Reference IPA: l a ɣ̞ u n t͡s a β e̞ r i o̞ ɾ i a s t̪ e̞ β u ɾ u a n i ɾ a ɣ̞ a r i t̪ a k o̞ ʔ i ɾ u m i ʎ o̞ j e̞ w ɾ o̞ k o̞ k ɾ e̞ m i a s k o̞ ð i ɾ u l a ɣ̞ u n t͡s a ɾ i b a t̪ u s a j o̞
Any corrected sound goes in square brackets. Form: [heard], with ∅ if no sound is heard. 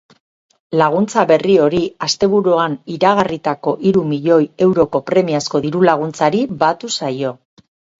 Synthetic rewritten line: l a ɣ̞ u n t͡s a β e̞ r i o̞ ɾ i a s t̪ e̞ β u ɾ u a n i ɾ a ɣ̞ a r i t̪ a k o̞ ʔ i ɾ u m i ʎ o̞ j e̞ w ɾ o̞ k o̞ [p] ɾ e̞ m i a s k o̞ ð i ɾ u l a ɣ̞ u n t͡s a ɾ i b a t̪ u s a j o̞